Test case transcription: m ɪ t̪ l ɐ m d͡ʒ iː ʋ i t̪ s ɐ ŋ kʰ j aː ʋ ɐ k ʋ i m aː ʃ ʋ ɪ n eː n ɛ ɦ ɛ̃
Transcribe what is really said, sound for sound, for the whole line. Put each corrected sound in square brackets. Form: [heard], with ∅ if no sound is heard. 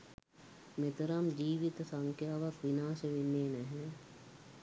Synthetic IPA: m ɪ t̪ [ɾ] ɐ m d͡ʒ iː ʋ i t̪ s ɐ ŋ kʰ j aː ʋ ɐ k ʋ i [n] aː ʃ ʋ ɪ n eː n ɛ ɦ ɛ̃